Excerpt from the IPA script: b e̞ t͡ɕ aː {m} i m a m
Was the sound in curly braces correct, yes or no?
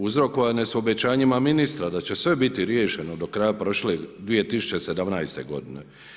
no